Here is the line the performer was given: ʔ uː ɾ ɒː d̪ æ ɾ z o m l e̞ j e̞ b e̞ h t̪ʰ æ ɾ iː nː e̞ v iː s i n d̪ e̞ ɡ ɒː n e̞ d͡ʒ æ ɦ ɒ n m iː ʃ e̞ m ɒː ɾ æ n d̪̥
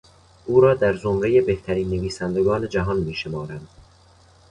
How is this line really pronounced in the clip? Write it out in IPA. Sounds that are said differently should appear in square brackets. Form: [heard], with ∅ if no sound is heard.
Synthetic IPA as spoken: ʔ uː ɾ ɒː d̪ æ ɾ z o m [ɾ] e̞ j e̞ b e̞ h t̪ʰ æ ɾ iː nː e̞ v iː s [æ] n d̪ e̞ ɡ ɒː n e̞ d͡ʒ æ ɦ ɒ n m iː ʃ e̞ m ɒː ɾ æ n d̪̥